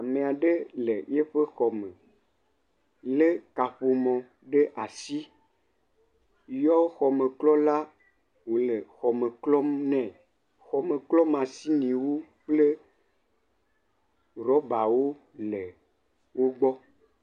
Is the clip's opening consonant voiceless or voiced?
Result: voiced